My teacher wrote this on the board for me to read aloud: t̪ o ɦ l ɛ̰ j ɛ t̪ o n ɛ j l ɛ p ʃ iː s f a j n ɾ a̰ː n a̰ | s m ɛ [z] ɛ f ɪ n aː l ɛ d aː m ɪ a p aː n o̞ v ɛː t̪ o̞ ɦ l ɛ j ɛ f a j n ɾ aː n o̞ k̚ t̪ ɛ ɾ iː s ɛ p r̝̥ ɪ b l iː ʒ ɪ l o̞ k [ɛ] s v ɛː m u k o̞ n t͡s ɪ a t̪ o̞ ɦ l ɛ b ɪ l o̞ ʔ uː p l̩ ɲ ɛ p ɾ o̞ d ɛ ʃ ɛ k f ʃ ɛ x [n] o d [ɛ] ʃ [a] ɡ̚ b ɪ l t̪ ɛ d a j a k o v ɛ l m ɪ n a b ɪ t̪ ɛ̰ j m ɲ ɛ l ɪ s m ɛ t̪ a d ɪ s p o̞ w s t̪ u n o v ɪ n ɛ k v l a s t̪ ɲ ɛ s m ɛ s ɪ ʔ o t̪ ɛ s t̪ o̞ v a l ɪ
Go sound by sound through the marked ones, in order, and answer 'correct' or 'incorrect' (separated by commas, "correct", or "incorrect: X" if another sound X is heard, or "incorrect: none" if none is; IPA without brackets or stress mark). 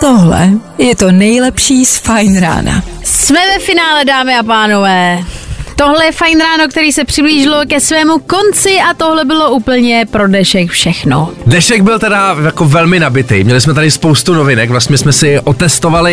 incorrect: v, correct, correct, correct, incorrect: ɛ